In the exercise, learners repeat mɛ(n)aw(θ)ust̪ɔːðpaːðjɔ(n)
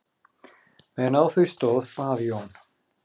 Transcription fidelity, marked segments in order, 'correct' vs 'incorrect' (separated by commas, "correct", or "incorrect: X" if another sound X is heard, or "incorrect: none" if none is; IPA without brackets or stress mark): correct, correct, correct